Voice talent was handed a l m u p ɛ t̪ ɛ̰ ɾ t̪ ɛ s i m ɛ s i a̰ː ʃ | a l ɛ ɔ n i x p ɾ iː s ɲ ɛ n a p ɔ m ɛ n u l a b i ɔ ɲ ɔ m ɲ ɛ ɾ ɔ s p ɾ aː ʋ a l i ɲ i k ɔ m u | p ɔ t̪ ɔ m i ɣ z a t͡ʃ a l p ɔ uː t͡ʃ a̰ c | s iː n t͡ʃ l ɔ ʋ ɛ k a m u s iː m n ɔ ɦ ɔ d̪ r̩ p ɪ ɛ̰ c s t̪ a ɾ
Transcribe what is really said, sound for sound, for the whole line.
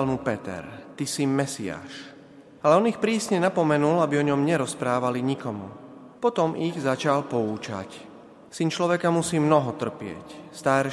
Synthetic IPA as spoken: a l m u p ɛ t̪ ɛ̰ ɾ t̪ i s i m ɛ s i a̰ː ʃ | a l ɛ ɔ n i x p ɾ iː s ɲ ɛ n a p ɔ m ɛ n u l a b i ɔ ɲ ɔ m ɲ ɛ ɾ ɔ s p ɾ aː ʋ a l i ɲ i k ɔ m u | p ɔ t̪ ɔ m i ɣ z a t͡ʃ a l p ɔ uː t͡ʃ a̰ c | s i n t͡ʃ l ɔ ʋ ɛ k a m u s iː m n ɔ ɦ ɔ t̪ r̩ p ɪ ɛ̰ c s t̪ a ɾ